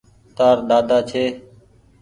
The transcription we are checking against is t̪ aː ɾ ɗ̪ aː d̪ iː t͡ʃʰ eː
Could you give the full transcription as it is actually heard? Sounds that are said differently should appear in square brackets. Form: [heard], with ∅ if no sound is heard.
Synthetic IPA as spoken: t̪ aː ɾ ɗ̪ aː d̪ [aː] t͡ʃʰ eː